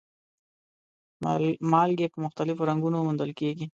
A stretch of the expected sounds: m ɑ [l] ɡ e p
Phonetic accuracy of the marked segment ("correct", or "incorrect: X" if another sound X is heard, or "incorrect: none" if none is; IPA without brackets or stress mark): correct